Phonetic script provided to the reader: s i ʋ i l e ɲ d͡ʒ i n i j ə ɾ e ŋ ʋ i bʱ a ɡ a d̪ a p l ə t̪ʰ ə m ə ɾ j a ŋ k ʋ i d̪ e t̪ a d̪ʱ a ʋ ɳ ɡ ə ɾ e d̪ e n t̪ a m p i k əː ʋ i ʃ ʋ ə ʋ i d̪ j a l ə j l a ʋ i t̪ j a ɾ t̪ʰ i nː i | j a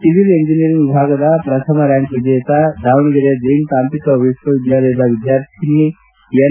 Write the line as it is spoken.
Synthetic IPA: s i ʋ i l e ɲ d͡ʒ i n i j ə ɾ i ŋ ʋ i bʱ a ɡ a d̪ a p ɾ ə t̪ʰ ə m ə ɾ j a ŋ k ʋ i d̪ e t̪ a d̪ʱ a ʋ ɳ ɡ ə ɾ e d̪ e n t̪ a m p i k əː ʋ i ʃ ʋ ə ʋ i d̪ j a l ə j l a ʋ i d̪ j a ɾ t̪ʰ i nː i | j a